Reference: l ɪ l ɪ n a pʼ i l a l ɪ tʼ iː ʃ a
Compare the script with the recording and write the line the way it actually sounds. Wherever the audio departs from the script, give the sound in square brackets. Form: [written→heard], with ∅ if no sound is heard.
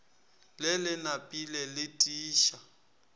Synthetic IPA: l ɪ l ɪ n a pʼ i l [a→ɛ] l ɪ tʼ iː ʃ a